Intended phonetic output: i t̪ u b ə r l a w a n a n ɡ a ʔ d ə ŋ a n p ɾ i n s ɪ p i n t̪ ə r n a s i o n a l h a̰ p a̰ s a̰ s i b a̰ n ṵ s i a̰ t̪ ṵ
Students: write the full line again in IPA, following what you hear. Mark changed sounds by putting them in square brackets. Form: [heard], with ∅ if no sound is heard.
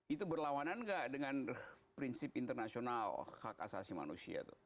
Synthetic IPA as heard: i t̪ u b ə r l a w a n a n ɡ a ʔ d ə ŋ a n p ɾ i n s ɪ p i n t̪ ə r n a s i o n a l h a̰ [k] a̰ s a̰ s i [m] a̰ n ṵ s i a̰ t̪ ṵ